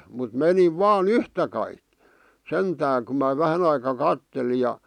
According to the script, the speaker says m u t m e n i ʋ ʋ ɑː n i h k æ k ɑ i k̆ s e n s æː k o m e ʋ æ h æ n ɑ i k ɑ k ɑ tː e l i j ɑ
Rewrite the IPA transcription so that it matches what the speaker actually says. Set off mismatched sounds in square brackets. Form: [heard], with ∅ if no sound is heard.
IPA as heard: m u t m e n i ʋ ʋ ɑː n [y] h [t] æ k ɑ i k̆ s e n [t] æː k [u] m [æ] ʋ æ h æ n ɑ i k ɑ k ɑ tː e l i j ɑ

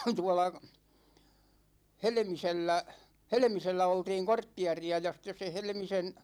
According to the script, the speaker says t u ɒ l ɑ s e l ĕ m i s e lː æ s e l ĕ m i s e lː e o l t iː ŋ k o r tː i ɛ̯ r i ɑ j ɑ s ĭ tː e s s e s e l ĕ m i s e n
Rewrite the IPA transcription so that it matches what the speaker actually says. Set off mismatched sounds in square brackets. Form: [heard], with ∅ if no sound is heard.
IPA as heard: t u ɒ l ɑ [h] e l ĕ m i s e lː æ [h] e l ĕ m i s e lː [æ] o l t iː ŋ k o r tː i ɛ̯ r i ɑ j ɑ s ĭ tː e s s e [h] e l ĕ m i s e n

